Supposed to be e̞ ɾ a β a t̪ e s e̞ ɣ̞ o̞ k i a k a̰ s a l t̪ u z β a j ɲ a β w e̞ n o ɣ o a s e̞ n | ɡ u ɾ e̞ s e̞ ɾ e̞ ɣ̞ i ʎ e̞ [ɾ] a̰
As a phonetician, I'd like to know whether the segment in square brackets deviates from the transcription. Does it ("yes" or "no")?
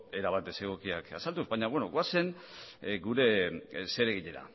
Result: no